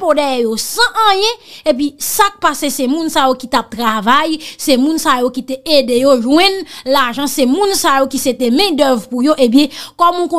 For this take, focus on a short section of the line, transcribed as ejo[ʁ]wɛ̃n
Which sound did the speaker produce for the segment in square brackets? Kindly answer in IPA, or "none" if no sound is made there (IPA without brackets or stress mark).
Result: ʒ